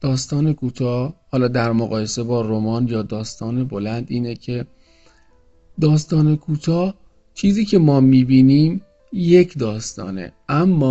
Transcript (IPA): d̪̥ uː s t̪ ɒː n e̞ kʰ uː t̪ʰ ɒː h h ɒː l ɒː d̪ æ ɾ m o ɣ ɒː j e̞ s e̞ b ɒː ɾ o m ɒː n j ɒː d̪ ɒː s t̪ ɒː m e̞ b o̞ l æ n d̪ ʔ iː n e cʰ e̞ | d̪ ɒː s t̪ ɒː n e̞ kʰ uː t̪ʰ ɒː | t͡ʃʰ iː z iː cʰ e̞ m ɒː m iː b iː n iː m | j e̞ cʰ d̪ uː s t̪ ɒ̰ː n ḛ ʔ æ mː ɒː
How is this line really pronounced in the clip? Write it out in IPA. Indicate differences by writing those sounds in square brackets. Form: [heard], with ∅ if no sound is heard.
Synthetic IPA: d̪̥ [ɒː] s t̪ ɒː n e̞ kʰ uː t̪ʰ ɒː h h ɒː l ɒː d̪ æ ɾ m o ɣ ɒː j e̞ s e̞ b ɒː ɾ o m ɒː n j ɒː d̪ ɒː s t̪ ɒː [n] e̞ b o̞ l æ n d̪ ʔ iː n e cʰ e̞ | d̪ ɒː s t̪ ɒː n e̞ kʰ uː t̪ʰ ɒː | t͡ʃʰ iː z iː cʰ e̞ m ɒː m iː b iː n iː m | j e̞ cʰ d̪ [ɒː] s t̪ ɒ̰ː n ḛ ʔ æ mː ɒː